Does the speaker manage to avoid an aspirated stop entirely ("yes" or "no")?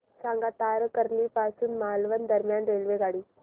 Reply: yes